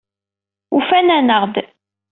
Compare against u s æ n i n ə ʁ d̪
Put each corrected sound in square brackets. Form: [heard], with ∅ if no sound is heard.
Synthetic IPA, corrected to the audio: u [f] æ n [æ] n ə ʁ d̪